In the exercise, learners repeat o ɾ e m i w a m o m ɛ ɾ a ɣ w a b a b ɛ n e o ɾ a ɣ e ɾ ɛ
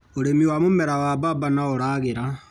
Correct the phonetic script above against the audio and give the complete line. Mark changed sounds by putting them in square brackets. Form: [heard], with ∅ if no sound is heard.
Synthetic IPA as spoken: o ɾ e m i w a m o m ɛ ɾ a [∅] w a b a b [a] n [a] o ɾ a ɣ e ɾ [a]